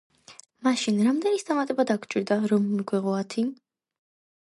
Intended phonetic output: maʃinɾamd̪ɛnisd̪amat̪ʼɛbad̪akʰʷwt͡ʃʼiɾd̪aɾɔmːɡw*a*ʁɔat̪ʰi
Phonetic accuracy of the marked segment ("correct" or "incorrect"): incorrect